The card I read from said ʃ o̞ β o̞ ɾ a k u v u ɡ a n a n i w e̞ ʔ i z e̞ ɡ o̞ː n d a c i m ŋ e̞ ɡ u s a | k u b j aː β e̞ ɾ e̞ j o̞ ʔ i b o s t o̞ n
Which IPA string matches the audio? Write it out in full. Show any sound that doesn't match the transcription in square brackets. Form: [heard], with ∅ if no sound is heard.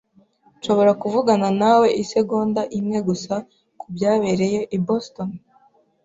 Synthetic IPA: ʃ o̞ β o̞ ɾ a k u v u ɡ a n a n [a] w e̞ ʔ i [s] e̞ ɡ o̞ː n d a [ʔ] i m ŋ e̞ ɡ u s a | k u b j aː β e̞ ɾ e̞ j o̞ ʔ i b o s t o̞ n